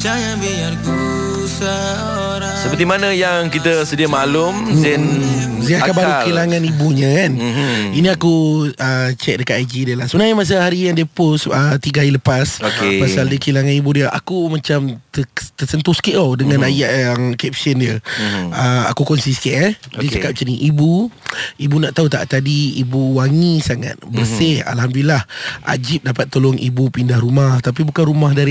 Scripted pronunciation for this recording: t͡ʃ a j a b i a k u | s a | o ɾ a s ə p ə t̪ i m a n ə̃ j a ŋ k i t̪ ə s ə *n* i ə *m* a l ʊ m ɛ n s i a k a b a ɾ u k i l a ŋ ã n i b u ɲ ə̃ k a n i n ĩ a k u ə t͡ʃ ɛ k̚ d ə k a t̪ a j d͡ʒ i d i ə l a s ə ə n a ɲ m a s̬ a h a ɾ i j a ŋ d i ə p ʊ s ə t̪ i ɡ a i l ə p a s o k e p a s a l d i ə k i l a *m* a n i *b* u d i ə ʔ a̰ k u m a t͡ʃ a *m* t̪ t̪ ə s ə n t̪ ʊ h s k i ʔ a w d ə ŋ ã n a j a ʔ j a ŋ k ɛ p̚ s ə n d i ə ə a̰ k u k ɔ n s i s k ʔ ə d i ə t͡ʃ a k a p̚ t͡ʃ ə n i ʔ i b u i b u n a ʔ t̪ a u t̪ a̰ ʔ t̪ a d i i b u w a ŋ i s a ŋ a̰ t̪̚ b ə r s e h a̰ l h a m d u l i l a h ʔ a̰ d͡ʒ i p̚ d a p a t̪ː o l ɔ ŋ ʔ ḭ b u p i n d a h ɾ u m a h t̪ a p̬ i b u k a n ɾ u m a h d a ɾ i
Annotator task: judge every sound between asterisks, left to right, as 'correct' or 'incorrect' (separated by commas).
incorrect, correct, incorrect, correct, correct